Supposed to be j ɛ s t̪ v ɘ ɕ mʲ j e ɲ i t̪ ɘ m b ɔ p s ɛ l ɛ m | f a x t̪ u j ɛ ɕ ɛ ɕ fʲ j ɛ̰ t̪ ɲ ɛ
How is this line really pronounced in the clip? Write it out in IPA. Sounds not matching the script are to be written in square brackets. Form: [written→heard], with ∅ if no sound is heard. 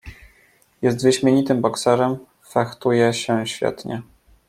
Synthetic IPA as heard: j ɛ s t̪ v ɘ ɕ mʲ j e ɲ i t̪ ɘ m b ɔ [p→k] s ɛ [l→ɾ] ɛ m | f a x t̪ u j ɛ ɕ ɛ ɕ fʲ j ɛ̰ t̪ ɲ ɛ